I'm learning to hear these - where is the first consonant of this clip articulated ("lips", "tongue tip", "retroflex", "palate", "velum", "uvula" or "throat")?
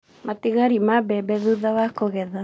lips